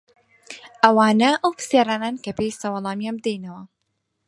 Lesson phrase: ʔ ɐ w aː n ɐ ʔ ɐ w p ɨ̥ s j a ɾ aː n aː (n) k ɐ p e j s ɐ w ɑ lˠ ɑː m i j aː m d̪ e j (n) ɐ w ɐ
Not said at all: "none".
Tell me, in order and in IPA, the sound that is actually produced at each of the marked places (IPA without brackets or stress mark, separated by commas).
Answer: n, n